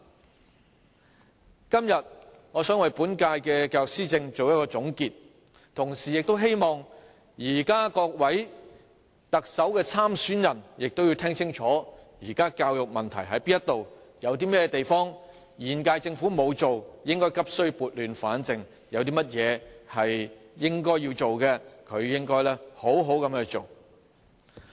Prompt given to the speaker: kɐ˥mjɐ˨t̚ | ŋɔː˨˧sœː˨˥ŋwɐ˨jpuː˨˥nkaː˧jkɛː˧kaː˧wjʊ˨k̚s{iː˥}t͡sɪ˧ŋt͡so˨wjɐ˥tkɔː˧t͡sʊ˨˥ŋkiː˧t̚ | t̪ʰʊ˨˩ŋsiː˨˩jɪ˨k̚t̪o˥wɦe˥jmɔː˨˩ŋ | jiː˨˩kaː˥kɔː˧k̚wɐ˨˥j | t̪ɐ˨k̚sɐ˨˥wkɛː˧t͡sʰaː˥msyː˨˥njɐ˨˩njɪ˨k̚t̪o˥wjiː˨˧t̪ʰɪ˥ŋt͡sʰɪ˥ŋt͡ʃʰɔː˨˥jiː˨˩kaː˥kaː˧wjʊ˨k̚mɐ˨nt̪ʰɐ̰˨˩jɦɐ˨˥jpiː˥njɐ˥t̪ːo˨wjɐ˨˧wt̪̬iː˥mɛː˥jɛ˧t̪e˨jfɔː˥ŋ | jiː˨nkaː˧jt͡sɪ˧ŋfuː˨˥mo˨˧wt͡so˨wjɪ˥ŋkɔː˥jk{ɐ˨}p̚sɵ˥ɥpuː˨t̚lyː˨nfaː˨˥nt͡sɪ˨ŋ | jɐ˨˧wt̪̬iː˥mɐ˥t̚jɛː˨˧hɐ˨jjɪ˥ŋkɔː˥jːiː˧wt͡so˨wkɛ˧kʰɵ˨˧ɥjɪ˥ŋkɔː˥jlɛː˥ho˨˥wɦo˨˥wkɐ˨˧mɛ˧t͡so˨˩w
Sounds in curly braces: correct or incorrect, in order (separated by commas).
correct, incorrect